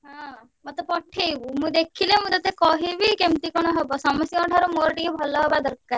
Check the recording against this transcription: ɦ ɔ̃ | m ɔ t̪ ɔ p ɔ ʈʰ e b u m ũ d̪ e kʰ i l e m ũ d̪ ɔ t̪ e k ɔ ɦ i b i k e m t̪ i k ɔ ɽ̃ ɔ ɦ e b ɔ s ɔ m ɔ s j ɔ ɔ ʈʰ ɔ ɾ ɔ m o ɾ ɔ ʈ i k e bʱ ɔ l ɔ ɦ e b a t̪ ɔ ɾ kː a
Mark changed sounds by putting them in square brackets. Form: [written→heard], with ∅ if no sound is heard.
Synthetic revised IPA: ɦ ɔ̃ | m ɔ t̪ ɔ p ɔ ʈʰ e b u m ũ d̪ e kʰ i l e m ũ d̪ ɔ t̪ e k ɔ ɦ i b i k e m t̪ i k ɔ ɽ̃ ɔ ɦ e b ɔ s ɔ m ɔ s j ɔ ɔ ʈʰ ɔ ɾ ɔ m o ɾ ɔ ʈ i k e bʱ ɔ l ɔ ɦ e b a [t̪→d̪] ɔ ɾ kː a

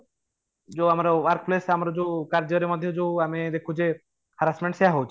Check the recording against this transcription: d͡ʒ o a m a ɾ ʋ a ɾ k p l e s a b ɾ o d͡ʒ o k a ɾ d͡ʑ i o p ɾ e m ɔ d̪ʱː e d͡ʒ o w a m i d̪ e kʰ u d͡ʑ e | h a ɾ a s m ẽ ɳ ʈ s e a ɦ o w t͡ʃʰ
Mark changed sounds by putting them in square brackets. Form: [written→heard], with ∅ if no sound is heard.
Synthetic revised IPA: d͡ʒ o a m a ɾ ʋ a ɾ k p l e s a [b→m] ɾ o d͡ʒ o k a ɾ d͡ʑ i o [p→∅] ɾ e m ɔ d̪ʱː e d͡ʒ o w a m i d̪ e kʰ u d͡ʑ e | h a ɾ a s m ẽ ɳ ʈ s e a ɦ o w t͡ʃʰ

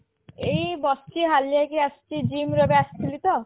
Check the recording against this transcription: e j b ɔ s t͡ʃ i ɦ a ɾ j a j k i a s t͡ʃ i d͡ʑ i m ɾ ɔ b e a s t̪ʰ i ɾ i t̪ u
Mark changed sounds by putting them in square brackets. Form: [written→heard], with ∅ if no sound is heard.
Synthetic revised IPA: e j b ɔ s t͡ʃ i ɦ a [ɾ→l] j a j k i a s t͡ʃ i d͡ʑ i m ɾ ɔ b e a s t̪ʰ i [ɾ→l] i t̪ [u→ɔ]

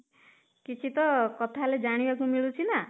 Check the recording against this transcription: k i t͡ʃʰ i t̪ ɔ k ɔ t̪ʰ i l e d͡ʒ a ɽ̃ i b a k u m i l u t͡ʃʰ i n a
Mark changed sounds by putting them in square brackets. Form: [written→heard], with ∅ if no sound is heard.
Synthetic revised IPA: k i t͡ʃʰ i t̪ ɔ k ɔ t̪ʰ [i→a] l e d͡ʒ a ɽ̃ i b a k u m i [l→ɭ] u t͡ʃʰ i n a

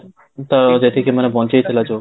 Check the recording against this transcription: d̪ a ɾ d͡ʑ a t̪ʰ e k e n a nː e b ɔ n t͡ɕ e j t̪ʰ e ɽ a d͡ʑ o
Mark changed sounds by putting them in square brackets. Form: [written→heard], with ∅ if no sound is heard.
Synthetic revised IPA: [d̪→t̪] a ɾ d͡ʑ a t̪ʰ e k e [n→m] a [nː→n] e b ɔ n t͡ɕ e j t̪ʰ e [ɽ→l] a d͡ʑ o

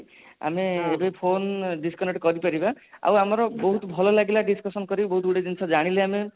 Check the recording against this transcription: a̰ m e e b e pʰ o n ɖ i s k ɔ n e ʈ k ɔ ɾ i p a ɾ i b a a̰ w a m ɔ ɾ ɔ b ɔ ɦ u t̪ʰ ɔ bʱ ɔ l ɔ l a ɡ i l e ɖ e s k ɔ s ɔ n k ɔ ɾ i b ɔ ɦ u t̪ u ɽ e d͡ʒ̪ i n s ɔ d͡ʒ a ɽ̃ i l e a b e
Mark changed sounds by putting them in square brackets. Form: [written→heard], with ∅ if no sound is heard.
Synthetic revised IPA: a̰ m e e b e pʰ o n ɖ i s k ɔ n e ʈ k ɔ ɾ i p a ɾ i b a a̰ w a m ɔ ɾ ɔ b ɔ ɦ u [t̪ʰ→t̪] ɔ bʱ ɔ l ɔ l a ɡ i l [e→a] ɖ [e→i] s k ɔ s ɔ n k ɔ ɾ i b ɔ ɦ u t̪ u ɽ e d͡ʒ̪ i n s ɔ d͡ʒ a ɽ̃ i l e a [b→m] e

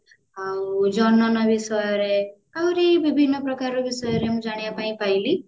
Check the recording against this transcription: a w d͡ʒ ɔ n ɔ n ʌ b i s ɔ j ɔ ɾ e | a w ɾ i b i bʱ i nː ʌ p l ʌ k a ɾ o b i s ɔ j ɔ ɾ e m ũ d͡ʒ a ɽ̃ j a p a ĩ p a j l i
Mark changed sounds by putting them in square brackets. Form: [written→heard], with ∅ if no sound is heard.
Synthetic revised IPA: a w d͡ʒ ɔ n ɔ n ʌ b i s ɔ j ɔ ɾ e | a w ɾ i b i bʱ i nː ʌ p [l→ɾ] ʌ k a ɾ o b i s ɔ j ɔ ɾ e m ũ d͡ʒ a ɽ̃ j a p a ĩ p a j l i

